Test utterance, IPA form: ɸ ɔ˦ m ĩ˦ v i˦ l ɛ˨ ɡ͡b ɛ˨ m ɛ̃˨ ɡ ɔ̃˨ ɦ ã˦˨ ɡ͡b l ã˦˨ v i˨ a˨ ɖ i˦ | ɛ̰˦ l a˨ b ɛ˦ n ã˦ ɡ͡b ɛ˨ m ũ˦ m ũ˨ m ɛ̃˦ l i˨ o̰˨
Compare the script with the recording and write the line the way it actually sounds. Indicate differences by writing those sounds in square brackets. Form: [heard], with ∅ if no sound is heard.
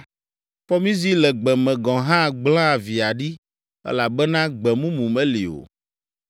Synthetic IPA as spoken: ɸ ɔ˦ m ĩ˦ [z] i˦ l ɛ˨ ɡ͡b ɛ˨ m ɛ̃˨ ɡ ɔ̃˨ ɦ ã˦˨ ɡ͡b l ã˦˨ v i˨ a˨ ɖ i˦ | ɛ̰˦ l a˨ b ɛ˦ n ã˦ ɡ͡b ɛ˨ m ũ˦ m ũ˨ m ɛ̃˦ l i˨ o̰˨